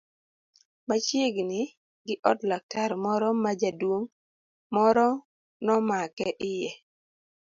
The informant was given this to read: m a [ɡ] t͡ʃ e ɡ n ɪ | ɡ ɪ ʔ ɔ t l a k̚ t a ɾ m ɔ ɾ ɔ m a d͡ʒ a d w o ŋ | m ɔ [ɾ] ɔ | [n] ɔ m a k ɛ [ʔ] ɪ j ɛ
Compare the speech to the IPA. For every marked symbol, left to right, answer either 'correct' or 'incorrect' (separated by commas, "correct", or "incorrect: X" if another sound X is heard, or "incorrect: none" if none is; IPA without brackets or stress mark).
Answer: incorrect: none, correct, correct, correct